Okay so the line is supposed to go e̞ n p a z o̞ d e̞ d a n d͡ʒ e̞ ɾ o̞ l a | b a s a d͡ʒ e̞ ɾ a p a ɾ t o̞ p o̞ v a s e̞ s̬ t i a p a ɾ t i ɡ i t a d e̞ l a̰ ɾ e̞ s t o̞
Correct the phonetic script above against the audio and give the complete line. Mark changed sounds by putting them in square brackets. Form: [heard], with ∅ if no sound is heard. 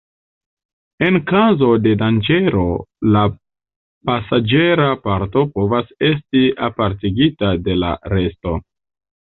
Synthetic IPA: e̞ n [k] a z o̞ d e̞ d a n d͡ʒ e̞ ɾ o̞ l a | [p] a s a d͡ʒ e̞ ɾ a p a ɾ t o̞ p o̞ v a s e̞ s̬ t i a p a ɾ t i ɡ i t a d e̞ l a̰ ɾ e̞ s t o̞